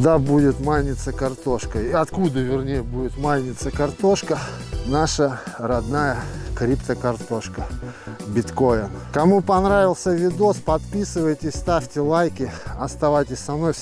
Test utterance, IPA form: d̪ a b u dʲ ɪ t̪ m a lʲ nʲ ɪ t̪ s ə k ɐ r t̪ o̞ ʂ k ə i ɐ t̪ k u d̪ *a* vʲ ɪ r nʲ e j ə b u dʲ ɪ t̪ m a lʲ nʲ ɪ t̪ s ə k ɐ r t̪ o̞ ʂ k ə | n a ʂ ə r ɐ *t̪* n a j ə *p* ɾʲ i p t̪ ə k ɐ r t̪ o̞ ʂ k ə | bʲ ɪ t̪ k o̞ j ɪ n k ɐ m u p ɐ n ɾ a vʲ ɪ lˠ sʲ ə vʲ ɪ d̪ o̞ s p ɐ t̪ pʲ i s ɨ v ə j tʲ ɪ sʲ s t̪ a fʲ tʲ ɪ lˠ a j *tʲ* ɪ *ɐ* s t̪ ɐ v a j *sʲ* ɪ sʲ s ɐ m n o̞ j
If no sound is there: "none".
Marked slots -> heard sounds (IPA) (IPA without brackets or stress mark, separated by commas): ə, d̪, k, kʲ, ɐ, tʲ